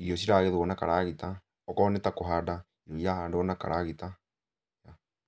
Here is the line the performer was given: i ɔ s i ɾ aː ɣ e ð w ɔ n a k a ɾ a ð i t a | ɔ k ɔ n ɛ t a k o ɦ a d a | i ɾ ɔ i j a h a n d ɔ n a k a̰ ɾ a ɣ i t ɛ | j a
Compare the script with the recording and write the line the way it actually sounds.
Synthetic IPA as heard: i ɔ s i ɾ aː ɣ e ð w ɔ n a k a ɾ a ɣ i t a | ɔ k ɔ n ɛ t a k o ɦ a d a | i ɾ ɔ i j a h a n d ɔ n a k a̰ ɾ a ɣ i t a | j a